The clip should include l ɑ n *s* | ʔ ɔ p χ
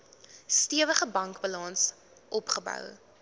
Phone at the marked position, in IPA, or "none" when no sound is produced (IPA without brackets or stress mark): s